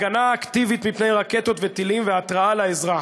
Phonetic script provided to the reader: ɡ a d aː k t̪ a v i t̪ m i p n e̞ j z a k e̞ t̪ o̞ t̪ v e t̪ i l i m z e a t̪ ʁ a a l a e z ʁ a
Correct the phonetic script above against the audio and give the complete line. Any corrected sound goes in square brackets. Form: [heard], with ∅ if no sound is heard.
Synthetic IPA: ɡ a [n] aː k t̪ [i] v i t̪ m i p n e̞ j [ʁ] a k e̞ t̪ o̞ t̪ v e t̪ i l i m [v] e a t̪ ʁ a a l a e z ʁ a